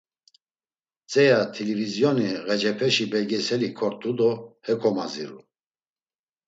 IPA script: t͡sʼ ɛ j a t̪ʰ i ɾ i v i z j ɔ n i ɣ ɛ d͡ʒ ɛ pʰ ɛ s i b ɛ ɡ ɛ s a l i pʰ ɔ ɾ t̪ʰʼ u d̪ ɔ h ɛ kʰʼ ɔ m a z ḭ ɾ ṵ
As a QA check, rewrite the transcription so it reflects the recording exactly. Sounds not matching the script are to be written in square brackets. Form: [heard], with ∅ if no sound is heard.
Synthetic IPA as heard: t͡sʼ ɛ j a t̪ʰ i [l] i v i z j ɔ n i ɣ ɛ d͡ʒ ɛ pʰ ɛ [ʃ] i b ɛ ɡ ɛ s [ɛ] l i [kʰ] ɔ ɾ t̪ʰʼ u d̪ ɔ h ɛ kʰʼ ɔ m a z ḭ ɾ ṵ